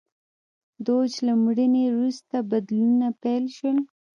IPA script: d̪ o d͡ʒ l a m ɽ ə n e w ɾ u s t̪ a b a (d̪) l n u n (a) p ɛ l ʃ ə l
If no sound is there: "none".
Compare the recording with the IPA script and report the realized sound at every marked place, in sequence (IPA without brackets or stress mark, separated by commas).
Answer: d̪, a